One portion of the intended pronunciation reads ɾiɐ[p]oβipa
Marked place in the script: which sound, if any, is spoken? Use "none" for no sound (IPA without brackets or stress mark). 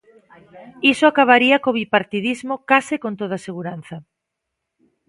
k